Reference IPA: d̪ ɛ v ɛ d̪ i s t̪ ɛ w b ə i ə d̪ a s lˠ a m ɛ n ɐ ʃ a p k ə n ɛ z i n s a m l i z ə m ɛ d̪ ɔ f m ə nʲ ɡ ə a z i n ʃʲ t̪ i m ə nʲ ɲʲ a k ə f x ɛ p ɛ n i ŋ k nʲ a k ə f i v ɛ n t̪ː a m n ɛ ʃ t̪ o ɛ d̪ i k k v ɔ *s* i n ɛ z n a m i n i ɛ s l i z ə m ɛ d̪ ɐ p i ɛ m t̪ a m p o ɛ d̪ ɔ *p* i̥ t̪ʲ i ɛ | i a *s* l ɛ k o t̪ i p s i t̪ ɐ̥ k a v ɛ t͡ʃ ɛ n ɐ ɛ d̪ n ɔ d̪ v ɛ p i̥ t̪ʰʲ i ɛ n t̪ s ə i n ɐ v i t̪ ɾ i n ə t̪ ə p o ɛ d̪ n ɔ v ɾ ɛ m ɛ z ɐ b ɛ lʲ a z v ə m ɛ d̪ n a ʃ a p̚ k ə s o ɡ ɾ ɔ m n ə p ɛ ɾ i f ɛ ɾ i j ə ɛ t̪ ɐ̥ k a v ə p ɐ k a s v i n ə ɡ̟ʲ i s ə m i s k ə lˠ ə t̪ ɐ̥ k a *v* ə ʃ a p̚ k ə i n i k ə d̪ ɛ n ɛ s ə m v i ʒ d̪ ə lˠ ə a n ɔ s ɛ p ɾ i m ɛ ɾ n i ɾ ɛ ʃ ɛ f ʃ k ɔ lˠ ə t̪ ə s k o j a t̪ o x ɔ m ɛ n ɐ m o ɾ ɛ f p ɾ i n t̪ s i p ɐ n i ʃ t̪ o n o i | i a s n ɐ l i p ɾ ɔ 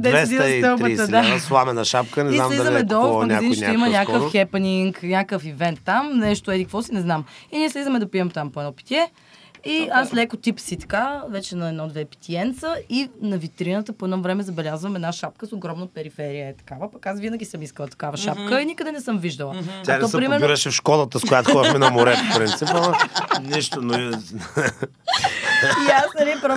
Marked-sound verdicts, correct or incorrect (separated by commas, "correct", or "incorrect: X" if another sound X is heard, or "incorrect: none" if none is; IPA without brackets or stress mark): correct, correct, correct, correct